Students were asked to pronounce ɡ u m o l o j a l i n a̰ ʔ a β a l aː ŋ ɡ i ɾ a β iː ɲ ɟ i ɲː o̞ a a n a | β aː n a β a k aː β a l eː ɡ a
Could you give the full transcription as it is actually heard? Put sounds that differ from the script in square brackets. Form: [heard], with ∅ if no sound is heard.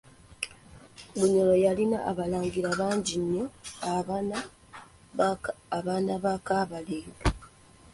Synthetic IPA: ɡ u [ɲ] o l o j a l i n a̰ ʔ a β a l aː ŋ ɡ i ɾ a β [aː] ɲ ɟ i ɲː o̞ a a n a | β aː n a β a k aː β a l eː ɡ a